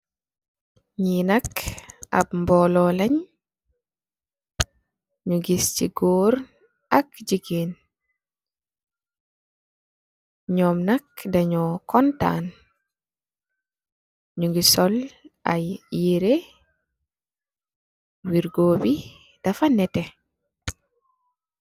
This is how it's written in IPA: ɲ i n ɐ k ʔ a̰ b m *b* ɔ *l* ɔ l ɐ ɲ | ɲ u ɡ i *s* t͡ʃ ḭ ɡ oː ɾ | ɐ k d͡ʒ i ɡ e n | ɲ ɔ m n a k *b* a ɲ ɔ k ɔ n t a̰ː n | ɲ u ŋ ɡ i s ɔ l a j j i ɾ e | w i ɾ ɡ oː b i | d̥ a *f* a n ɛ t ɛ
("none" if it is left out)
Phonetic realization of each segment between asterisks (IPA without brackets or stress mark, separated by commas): b, l, s, d, f